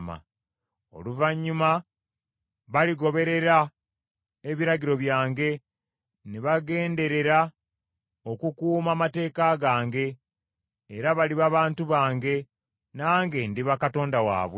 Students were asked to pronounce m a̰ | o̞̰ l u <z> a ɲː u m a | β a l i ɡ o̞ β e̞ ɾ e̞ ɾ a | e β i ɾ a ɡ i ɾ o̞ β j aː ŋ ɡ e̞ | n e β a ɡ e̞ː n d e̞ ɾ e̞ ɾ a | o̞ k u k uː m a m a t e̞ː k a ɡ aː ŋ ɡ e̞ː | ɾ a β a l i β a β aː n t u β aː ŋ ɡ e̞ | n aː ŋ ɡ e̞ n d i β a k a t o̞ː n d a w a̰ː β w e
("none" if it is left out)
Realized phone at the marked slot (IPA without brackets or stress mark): v